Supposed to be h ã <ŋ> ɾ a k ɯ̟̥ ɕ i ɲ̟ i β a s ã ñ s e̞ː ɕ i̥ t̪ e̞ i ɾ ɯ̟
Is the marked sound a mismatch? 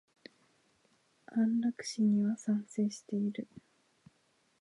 yes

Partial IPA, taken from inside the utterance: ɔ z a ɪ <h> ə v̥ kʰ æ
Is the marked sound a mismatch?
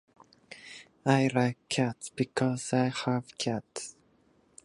no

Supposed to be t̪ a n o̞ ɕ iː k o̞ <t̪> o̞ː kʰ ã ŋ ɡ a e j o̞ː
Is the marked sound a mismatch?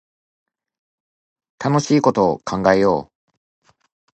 no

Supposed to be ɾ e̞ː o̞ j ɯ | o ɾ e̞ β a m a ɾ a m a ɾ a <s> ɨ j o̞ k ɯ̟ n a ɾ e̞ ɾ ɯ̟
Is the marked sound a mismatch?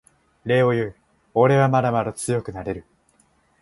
yes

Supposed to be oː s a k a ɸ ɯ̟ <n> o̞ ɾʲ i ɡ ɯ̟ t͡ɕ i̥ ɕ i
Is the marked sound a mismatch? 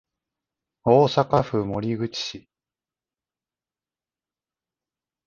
yes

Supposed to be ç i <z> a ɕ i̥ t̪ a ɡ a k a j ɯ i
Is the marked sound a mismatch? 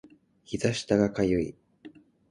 no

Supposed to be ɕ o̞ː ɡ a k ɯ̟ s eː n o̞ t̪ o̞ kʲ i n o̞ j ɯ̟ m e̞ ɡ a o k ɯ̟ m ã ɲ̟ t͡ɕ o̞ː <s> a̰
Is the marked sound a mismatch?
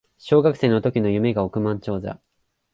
yes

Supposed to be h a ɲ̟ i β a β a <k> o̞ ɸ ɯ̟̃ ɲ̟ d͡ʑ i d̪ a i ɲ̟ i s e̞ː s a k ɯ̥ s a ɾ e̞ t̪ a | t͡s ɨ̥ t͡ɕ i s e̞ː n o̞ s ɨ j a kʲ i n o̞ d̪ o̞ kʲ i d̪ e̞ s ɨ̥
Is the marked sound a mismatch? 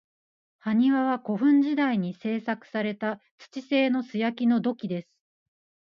no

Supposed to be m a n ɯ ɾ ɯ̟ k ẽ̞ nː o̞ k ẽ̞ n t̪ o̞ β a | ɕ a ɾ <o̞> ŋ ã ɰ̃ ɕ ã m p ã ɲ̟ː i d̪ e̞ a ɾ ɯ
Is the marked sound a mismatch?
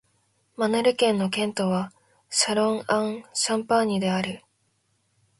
yes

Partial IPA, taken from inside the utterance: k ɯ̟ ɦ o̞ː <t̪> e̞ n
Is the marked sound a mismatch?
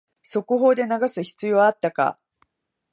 yes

